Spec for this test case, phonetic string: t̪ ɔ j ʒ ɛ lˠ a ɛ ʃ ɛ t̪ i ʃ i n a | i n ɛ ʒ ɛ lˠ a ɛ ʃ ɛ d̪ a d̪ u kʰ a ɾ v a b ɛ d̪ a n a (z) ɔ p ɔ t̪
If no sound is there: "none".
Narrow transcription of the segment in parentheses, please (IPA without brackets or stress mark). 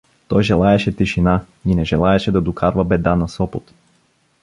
s